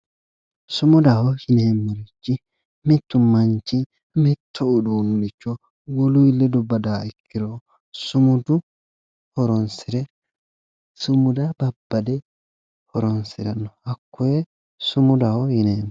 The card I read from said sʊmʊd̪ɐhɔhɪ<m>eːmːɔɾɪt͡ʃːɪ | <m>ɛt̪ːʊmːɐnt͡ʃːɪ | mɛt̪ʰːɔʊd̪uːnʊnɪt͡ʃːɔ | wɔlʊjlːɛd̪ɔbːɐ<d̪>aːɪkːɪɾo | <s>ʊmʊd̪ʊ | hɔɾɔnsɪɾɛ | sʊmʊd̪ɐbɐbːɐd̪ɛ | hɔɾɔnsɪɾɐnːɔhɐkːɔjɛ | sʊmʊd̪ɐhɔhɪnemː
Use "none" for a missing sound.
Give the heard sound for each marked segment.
n, m, d̪, s

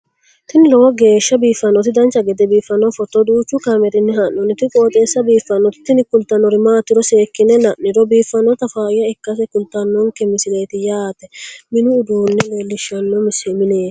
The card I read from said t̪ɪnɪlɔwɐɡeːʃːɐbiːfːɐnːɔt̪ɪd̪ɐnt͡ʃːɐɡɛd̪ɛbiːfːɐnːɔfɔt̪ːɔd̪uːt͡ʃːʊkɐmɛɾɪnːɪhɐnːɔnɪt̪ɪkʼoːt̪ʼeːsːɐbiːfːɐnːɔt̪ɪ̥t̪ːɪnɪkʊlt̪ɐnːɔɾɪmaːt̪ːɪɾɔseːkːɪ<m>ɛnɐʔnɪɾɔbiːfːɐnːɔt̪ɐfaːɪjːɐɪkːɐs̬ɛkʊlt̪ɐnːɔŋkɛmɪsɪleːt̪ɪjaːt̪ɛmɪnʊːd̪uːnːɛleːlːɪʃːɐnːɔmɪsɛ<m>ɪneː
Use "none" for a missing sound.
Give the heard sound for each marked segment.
n, m

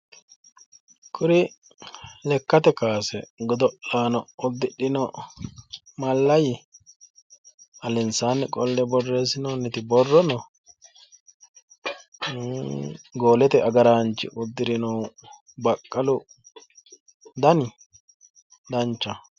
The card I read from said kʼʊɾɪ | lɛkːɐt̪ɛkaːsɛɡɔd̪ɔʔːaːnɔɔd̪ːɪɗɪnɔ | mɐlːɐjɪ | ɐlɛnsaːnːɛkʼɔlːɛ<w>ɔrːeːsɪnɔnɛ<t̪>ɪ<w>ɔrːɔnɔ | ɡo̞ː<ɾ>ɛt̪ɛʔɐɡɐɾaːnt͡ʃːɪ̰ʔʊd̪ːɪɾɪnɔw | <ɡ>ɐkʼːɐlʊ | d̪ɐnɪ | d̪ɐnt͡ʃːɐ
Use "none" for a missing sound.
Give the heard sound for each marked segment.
b, t̪, b, l, b

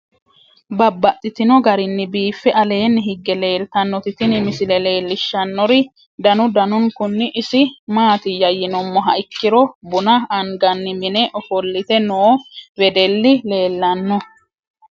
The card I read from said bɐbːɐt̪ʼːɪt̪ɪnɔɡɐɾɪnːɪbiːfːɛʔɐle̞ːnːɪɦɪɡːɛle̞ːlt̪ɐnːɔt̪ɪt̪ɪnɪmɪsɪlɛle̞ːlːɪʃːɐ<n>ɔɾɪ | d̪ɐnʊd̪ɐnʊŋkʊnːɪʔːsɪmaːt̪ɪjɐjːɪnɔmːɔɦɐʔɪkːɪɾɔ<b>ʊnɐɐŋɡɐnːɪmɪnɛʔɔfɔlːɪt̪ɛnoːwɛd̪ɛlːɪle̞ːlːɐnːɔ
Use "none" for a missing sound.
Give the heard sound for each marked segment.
nː, b

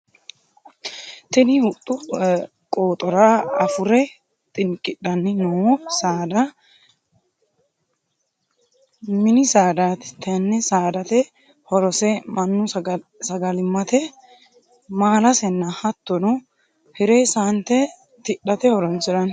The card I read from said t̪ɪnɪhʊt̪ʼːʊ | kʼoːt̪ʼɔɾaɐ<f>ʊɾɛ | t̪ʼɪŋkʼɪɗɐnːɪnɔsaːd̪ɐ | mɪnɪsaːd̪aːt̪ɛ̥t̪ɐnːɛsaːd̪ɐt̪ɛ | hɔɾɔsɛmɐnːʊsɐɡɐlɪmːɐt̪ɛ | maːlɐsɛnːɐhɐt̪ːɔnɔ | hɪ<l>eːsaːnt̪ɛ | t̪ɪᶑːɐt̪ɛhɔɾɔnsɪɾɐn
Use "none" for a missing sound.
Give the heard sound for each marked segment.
f, ɾ

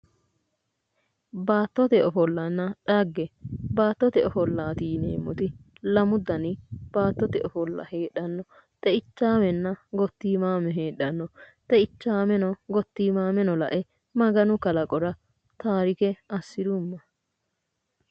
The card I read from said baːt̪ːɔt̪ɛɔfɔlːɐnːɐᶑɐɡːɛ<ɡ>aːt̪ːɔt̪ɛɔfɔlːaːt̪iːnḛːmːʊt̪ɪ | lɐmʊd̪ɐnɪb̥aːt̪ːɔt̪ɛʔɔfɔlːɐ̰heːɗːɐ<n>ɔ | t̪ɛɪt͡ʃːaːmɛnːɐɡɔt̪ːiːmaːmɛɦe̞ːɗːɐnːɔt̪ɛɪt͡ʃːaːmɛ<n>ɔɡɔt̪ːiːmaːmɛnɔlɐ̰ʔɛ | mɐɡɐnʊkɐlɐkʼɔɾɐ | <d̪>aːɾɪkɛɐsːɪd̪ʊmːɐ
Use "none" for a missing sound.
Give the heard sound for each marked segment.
b, nː, n, t̪

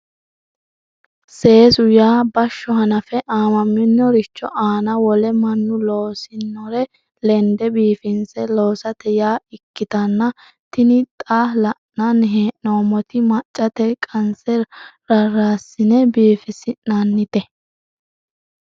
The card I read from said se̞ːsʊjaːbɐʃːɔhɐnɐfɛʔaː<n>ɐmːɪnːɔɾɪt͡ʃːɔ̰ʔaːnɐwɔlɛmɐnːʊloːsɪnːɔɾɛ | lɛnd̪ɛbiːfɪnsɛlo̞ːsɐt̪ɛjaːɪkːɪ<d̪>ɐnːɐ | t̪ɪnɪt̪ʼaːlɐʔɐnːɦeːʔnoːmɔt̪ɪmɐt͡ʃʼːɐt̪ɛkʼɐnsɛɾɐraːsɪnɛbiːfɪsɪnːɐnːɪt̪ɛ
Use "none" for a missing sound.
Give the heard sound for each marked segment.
m, t̪

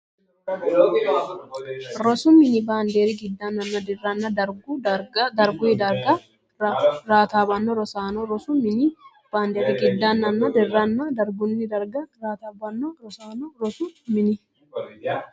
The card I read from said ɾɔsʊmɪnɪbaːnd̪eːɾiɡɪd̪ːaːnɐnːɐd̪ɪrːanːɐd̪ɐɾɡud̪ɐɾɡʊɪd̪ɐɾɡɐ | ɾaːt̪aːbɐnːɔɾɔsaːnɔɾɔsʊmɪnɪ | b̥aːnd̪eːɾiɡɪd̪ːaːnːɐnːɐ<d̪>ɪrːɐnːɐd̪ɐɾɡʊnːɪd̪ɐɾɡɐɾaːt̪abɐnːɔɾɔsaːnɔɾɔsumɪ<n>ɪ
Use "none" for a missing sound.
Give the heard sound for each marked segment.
d̪, n

